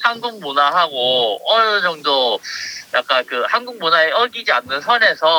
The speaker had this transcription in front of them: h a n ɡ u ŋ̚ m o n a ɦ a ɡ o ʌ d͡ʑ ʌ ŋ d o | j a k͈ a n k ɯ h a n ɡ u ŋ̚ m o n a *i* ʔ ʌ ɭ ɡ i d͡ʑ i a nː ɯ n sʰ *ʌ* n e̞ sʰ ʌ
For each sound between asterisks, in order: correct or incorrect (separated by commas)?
incorrect, correct